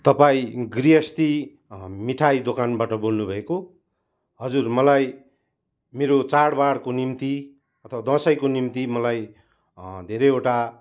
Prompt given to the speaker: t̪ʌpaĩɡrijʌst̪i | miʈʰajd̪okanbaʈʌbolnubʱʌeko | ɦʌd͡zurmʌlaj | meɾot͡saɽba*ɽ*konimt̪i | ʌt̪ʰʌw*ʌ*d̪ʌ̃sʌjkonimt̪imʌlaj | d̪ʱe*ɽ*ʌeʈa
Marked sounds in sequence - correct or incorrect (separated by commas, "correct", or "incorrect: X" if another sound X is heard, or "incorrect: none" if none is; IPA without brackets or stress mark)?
correct, incorrect: a, incorrect: ɾ